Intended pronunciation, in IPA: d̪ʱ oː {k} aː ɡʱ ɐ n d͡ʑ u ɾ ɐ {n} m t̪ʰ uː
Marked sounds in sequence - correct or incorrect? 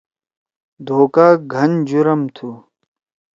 correct, incorrect: none

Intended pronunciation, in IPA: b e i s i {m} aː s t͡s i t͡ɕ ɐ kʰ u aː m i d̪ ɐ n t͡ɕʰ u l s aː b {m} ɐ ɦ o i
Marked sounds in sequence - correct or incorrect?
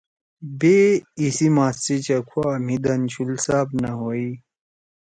correct, incorrect: n

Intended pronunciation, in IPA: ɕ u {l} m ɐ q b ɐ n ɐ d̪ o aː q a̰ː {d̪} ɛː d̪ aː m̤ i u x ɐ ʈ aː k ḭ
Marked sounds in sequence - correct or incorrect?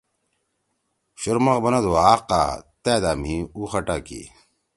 incorrect: ɾ, incorrect: t̪

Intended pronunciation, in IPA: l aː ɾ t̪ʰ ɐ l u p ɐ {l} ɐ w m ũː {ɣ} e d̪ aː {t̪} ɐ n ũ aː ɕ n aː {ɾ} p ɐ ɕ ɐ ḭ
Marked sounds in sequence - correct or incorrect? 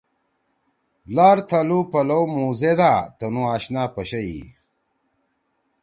correct, incorrect: z, correct, incorrect: none

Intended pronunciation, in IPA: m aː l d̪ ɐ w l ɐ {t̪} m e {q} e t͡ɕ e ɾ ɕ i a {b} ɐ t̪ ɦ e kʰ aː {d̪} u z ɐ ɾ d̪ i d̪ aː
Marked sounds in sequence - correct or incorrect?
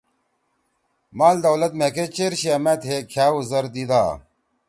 correct, incorrect: k, incorrect: m, incorrect: none

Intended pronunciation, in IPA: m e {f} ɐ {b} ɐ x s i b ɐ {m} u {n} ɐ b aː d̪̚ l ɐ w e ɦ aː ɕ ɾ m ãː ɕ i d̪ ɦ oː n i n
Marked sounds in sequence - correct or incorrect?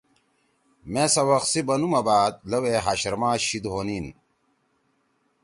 incorrect: s, incorrect: w, incorrect: n, incorrect: m

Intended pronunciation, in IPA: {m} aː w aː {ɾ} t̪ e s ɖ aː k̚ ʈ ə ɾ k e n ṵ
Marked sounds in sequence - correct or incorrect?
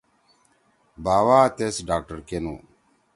incorrect: b, incorrect: none

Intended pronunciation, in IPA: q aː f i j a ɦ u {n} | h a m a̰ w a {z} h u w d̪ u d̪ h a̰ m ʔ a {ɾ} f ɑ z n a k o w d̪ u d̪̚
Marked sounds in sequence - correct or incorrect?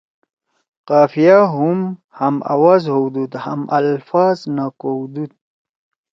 incorrect: m, correct, incorrect: l

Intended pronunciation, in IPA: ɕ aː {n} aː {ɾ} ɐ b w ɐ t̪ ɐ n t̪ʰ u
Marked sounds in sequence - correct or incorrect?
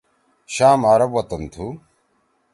incorrect: m, correct

